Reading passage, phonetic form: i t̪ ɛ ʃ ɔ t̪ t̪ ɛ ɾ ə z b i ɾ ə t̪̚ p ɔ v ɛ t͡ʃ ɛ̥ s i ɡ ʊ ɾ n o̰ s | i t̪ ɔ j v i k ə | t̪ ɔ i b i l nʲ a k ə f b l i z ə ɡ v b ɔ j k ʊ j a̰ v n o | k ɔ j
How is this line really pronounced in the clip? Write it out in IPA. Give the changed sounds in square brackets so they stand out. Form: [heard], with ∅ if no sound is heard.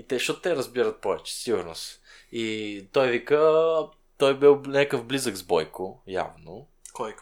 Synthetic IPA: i t̪ ɛ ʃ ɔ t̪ t̪ ɛ ɾ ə z b i ɾ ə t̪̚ p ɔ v ɛ t͡ʃ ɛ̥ s i ɡ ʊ ɾ n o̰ s | i t̪ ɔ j v i k ə | t̪ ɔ [j] b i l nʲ a k ə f b l i z ə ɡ [z] b ɔ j k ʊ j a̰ v n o | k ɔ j